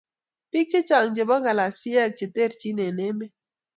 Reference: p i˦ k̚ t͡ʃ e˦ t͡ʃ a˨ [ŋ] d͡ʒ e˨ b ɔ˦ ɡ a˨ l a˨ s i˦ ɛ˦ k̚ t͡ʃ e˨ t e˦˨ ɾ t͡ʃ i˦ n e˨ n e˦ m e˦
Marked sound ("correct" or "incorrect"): correct